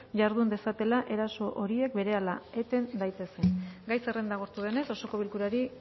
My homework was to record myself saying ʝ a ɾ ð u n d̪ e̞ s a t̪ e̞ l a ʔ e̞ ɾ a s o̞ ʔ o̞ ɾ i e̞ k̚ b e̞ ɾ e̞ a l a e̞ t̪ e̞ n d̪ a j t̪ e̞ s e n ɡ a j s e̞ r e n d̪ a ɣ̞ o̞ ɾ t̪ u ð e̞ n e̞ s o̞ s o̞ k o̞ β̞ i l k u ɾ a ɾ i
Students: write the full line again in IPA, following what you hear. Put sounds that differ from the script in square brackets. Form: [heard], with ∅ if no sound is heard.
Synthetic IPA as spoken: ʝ a ɾ ð u n d̪ e̞ s a t̪ e̞ l a ʔ e̞ ɾ a s o̞ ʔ o̞ ɾ i e̞ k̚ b e̞ ɾ e̞ a l a e̞ t̪ e̞ n d̪ a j t̪ e̞ s e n ɡ a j s e̞ r e n d̪ a ɣ̞ o̞ ɾ t̪ u ð e̞ n e̞ s o̞ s o̞ k o̞ β̞ i l k u ɾ a ɾ i